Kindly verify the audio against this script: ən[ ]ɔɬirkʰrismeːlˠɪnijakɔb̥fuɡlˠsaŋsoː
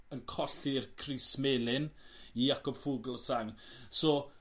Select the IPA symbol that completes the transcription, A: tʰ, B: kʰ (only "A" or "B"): B